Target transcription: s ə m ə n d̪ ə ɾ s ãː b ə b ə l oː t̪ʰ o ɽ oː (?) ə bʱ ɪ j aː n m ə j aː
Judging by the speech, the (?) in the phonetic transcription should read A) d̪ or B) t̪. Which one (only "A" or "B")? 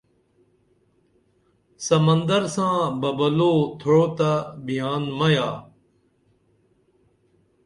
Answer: B